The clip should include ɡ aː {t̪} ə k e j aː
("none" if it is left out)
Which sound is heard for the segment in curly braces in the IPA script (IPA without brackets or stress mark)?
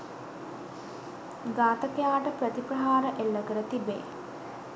t̪